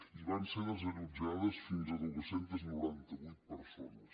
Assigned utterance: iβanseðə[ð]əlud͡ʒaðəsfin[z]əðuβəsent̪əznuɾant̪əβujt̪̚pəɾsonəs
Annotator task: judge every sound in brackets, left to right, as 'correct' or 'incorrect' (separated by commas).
incorrect, correct